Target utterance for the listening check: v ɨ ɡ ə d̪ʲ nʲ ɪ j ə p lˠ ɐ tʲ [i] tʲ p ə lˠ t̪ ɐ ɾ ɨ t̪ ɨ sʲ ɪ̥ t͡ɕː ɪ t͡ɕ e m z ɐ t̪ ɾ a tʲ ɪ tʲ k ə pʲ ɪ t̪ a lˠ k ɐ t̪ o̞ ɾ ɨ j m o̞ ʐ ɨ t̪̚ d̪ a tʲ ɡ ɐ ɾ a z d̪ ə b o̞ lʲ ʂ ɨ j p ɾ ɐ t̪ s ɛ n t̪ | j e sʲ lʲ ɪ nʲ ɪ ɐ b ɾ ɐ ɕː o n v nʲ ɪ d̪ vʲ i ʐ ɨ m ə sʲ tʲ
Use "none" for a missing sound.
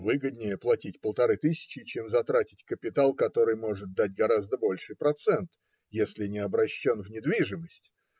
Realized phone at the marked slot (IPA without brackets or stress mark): i